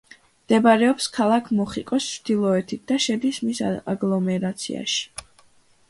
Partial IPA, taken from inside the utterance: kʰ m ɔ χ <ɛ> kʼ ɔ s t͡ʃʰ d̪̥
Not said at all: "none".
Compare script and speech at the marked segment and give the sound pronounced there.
i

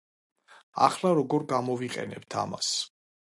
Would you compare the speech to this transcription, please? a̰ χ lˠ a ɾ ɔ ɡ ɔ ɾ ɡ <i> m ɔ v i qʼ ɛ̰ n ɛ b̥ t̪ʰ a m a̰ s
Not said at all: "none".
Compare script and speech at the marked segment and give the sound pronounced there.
a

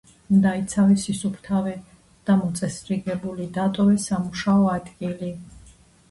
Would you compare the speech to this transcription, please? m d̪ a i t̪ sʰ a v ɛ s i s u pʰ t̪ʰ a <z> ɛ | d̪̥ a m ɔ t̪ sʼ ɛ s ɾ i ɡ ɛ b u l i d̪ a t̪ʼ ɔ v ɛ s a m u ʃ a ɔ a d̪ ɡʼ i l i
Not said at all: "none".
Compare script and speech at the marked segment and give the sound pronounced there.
v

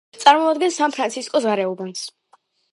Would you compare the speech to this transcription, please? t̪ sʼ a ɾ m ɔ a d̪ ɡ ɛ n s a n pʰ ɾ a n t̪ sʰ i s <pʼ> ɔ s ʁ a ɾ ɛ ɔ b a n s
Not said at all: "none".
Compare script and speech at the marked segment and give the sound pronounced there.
kʼ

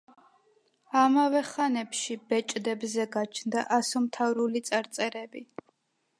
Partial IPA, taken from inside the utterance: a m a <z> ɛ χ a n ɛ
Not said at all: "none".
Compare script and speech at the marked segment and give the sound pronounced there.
v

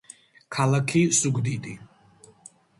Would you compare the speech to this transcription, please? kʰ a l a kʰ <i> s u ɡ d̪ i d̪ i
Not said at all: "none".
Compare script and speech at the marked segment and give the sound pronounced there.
i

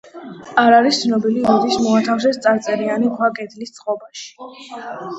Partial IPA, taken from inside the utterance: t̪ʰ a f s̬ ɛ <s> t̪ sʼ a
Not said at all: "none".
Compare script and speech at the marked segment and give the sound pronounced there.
s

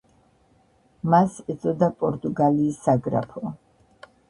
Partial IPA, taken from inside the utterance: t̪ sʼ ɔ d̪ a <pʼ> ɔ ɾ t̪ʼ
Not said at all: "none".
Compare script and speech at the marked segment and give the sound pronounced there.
pʼ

